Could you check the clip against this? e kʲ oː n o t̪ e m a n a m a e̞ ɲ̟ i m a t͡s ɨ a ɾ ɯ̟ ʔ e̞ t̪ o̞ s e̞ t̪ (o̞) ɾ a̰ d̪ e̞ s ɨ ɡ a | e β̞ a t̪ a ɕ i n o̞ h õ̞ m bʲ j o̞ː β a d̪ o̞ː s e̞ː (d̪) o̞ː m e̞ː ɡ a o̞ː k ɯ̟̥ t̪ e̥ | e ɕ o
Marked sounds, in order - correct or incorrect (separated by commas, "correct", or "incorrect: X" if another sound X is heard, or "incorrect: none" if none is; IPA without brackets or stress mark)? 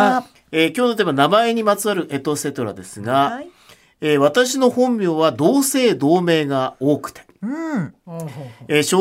correct, correct